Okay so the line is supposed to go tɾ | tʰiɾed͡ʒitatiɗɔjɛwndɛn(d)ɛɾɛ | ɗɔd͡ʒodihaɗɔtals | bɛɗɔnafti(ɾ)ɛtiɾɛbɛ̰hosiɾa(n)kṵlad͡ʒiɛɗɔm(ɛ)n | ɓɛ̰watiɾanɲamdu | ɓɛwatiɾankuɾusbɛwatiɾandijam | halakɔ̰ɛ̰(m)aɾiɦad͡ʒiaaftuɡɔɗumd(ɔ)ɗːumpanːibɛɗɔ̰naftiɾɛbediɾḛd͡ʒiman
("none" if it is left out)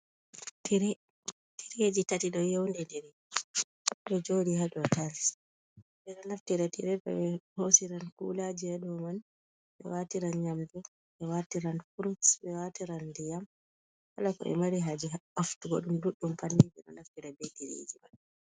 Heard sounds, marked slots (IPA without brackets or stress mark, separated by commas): d, ɾ, n, a, m, u